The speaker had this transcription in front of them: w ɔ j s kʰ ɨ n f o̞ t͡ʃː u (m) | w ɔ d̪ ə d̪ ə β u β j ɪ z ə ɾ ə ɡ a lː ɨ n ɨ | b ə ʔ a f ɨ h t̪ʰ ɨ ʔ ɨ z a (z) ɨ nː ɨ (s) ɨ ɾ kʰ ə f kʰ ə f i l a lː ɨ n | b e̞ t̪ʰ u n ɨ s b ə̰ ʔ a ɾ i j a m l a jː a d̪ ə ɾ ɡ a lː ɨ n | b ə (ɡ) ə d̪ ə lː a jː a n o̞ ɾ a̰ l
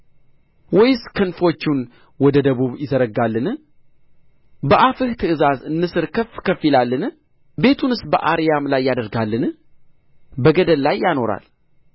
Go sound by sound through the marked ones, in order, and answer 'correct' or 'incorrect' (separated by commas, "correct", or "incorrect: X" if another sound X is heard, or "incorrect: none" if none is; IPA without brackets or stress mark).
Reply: incorrect: n, correct, correct, correct